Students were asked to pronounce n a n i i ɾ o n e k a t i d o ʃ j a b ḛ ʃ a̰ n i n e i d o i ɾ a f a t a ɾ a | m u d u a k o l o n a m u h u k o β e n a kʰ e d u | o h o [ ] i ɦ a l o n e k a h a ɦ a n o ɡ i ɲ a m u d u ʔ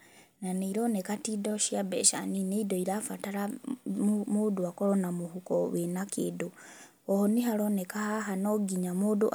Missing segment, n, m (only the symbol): n